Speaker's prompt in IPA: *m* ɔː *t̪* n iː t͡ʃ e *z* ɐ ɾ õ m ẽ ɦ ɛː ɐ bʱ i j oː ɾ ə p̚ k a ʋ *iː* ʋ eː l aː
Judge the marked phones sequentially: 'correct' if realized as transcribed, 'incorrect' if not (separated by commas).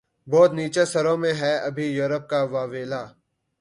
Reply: incorrect, correct, incorrect, incorrect